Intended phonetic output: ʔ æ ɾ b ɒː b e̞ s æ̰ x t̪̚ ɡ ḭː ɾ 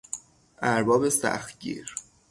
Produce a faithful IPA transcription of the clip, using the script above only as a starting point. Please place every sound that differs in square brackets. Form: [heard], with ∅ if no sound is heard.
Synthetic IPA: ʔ æ ɾ b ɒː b e̞ s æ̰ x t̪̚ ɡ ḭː ɾ